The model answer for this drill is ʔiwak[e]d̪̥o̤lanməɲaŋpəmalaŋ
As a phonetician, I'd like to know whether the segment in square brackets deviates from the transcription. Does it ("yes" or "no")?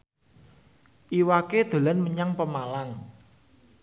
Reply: no